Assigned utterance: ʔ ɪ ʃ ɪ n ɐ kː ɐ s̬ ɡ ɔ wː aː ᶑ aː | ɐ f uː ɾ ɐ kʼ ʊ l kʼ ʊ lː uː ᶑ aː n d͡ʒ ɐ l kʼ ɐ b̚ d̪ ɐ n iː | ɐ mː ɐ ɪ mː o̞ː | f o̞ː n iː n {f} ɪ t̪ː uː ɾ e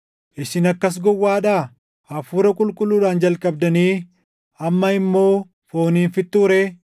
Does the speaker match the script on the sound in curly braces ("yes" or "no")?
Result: yes